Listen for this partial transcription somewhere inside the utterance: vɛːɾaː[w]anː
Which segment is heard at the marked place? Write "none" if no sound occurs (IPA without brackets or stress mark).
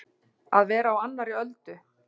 w